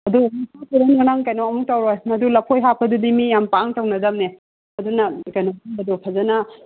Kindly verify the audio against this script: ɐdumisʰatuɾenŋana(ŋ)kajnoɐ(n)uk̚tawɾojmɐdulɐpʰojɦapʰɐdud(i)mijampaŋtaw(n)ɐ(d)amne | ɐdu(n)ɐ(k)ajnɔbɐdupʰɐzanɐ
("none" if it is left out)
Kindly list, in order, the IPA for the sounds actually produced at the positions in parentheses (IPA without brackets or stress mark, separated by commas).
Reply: ŋ, m, i, n, d, n, k